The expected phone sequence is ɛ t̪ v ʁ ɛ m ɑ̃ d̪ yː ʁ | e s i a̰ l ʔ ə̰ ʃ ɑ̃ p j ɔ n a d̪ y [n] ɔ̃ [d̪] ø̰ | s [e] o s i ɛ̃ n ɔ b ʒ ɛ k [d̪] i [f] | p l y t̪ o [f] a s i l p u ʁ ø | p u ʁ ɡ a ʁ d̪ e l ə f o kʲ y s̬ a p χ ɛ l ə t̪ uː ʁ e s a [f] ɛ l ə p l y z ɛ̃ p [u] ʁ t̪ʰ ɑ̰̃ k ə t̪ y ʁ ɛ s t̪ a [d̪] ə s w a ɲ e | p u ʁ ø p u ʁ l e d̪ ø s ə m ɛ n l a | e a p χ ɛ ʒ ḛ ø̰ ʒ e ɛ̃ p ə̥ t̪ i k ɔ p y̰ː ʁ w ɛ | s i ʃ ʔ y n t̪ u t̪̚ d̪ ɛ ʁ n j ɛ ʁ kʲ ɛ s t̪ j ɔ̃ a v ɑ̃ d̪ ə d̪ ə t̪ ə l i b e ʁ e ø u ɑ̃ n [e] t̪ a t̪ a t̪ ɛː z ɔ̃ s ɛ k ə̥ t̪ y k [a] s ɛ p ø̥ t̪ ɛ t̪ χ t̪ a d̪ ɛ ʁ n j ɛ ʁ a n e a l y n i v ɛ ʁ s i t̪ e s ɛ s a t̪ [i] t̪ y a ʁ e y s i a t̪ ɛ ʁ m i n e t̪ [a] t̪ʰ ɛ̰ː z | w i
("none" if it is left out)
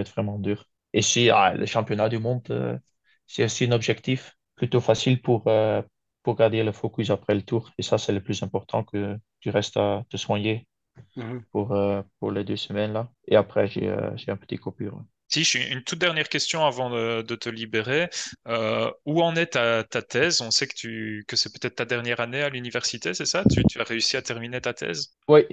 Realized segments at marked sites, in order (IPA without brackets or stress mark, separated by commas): m, d̪, ɛ, t̪, f, f, s, ɔ, t̪, ɛ, ə, y, a